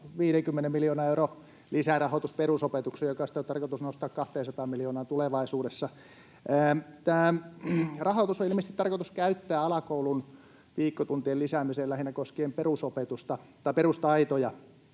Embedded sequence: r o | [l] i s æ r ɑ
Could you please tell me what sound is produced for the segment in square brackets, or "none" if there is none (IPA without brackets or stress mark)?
l